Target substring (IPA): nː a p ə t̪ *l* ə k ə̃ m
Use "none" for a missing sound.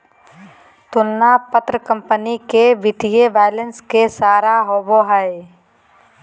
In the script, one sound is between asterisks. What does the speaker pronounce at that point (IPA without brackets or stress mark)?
ɾ